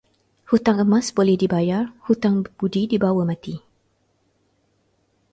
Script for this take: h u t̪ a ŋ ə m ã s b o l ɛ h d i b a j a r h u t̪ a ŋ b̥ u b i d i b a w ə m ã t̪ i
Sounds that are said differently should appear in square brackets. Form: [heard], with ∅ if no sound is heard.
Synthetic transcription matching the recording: h u t̪ a ŋ ə m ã s b o l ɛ h d i b a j a r h u t̪ a ŋ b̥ u [d] i d i b a w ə m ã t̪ i